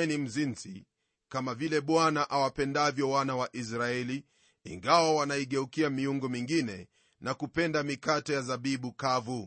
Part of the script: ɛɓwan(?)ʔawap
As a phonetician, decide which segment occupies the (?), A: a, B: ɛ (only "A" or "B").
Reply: A